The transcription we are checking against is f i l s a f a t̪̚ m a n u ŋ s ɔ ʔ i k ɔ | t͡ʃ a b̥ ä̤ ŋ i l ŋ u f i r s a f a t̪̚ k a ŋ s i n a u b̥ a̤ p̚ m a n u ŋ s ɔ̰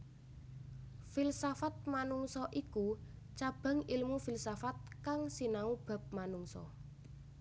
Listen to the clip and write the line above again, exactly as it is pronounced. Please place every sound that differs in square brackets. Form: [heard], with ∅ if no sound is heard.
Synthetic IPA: f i l s a f a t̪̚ m a n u ŋ s ɔ ʔ i k [u] | t͡ʃ a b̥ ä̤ ŋ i l [m] u f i [l] s a f a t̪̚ k a ŋ s i n a u b̥ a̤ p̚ m a n u ŋ s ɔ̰